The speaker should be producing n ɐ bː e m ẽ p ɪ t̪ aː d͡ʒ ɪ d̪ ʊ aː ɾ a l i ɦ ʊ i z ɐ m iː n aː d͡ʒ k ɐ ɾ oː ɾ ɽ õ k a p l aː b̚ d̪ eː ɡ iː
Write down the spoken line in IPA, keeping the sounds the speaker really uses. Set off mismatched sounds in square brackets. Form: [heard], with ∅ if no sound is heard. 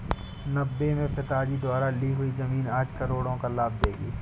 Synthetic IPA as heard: n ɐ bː e m ẽ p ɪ t̪ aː d͡ʒ [i] d̪ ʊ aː ɾ a l i ɦ ʊ i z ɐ m iː n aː d͡ʒ k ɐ ɾ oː [∅] ɽ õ k a [∅] l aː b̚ d̪ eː ɡ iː